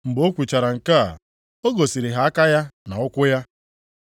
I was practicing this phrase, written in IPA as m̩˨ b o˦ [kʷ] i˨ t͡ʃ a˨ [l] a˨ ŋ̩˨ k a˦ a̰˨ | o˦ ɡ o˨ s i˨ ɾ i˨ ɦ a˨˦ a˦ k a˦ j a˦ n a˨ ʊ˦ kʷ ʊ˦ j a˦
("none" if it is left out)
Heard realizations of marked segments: kʷ, ɾ

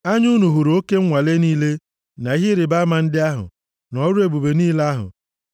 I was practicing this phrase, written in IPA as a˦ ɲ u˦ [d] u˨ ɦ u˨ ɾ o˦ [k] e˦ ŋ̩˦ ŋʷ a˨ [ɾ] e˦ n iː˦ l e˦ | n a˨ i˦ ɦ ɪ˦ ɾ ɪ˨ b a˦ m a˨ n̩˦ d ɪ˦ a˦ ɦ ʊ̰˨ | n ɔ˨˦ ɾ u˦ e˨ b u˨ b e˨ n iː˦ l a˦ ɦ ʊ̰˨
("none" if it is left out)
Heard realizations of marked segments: n, k, l

